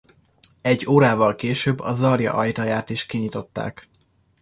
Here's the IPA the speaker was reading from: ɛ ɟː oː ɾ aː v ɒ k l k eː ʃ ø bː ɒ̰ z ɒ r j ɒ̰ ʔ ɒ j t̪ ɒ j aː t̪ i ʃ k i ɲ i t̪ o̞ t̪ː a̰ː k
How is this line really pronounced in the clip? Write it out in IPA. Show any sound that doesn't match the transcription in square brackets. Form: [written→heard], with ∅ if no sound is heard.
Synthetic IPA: ɛ ɟː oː ɾ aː v ɒ [k→∅] l k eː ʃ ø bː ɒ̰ z ɒ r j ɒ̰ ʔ ɒ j t̪ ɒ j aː t̪ i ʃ k i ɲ i t̪ o̞ t̪ː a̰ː k